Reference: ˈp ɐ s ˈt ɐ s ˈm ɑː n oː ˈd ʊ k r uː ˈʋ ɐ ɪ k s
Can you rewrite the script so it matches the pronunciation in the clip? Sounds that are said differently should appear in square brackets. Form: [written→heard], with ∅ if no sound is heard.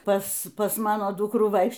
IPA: ˈp ɐ s [ˈt→ˈp] ɐ s ˈm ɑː n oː ˈd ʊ k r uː ˈʋ ɐ ɪ k [s→ʃ]